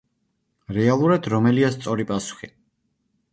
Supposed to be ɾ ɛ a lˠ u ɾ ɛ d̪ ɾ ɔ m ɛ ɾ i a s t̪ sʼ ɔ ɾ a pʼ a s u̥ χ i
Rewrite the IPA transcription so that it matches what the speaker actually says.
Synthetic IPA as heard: ɾ ɛ a lˠ u ɾ a d̪ ɾ ɔ m ɛ l i a s t̪ sʼ ɔ ɾ i pʼ a s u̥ χ i